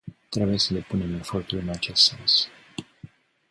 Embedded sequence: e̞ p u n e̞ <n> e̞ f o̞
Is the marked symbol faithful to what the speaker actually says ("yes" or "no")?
no